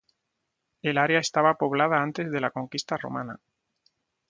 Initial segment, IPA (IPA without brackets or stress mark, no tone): e̞